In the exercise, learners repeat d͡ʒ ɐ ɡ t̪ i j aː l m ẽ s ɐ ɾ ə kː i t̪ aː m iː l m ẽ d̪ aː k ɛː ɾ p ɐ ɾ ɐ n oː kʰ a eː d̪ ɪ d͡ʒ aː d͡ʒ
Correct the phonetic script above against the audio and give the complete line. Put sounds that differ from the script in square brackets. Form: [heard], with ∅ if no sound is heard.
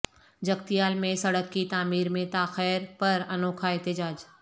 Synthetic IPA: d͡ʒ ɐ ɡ t̪ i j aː l m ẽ s ɐ [ɽ] ə kː i t̪ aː m iː [ɾ] m ẽ [t̪] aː [x] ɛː ɾ p ɐ ɾ ɐ n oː kʰ a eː [t̪] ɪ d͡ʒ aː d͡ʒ